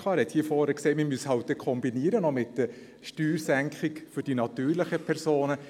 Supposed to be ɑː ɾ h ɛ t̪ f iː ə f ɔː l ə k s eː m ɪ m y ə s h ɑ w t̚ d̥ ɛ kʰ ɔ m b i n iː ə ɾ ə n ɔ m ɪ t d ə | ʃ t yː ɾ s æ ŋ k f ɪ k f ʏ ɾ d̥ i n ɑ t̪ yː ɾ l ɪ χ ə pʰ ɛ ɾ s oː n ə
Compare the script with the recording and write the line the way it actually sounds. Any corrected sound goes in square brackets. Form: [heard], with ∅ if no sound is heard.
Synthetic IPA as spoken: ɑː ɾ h ɛ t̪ [h] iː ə f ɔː [ɾ] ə k s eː m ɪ m y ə s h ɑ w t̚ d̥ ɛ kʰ ɔ m b i n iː ə ɾ ə n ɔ m ɪ t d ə | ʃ t yː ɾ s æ ŋ k [χ] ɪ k f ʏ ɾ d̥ i n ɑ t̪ yː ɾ l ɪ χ ə pʰ ɛ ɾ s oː n ə